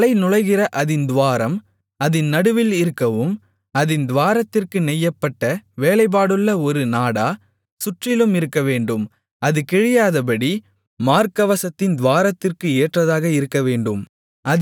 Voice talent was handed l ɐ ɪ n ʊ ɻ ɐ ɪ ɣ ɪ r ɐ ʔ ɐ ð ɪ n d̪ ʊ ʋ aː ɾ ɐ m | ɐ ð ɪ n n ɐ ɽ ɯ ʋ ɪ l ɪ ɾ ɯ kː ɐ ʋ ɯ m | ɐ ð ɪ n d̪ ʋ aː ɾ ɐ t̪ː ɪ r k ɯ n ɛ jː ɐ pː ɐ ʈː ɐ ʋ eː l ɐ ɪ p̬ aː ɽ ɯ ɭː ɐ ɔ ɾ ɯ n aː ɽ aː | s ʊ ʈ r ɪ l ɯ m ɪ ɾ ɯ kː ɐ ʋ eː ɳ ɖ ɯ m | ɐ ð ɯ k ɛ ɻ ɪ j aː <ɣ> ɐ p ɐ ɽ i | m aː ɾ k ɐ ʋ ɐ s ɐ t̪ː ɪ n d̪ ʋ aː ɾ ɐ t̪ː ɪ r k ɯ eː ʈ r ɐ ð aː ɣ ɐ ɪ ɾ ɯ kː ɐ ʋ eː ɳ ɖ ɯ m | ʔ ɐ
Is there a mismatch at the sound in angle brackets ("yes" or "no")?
yes